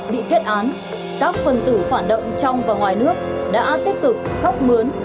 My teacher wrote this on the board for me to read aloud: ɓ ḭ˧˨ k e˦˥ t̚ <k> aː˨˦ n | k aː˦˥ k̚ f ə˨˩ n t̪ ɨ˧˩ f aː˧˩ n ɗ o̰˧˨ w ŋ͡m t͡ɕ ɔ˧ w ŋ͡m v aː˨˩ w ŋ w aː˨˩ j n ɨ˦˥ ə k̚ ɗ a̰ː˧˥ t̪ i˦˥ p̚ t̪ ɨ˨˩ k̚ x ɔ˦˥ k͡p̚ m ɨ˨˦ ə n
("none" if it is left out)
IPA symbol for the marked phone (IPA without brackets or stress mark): ʔ